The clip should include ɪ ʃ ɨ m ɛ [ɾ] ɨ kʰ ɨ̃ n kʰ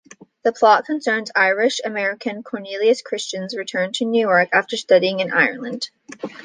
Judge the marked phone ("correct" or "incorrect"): incorrect